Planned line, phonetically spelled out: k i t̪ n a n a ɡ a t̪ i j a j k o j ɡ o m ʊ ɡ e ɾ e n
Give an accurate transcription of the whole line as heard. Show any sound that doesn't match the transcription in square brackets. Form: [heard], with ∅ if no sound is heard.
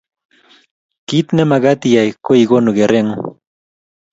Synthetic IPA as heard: k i t̪ n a [m] a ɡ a t̪ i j a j k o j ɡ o [n] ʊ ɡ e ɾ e [ŋ]